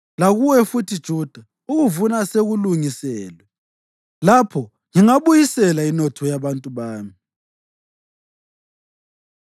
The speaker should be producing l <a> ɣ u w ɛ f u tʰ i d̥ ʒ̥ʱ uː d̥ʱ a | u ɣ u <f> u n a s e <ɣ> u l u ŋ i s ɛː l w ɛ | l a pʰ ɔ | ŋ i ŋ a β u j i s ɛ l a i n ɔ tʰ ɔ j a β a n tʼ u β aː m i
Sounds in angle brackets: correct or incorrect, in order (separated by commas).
correct, incorrect, correct